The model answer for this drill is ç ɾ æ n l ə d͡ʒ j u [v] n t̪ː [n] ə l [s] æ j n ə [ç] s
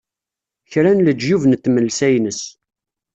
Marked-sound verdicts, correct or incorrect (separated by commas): correct, incorrect, correct, incorrect